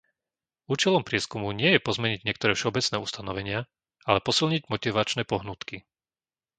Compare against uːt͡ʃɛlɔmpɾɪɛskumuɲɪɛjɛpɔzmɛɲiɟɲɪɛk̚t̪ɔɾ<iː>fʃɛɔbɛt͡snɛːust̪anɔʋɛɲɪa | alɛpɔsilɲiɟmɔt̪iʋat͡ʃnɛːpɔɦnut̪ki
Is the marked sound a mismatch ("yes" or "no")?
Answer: yes